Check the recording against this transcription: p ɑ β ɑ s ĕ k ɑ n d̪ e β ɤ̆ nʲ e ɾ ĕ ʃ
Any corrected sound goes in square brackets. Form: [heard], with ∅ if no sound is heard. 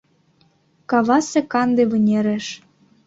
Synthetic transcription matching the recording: [k] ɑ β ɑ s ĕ k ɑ n d̪ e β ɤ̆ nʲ e ɾ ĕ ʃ